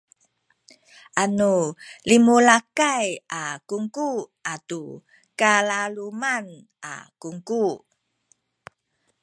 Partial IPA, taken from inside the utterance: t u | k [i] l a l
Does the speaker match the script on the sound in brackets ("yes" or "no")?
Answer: no